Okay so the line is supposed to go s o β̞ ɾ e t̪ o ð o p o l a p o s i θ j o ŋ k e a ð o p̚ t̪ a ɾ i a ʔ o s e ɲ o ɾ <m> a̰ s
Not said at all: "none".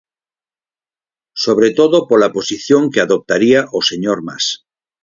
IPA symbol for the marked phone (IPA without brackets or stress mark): m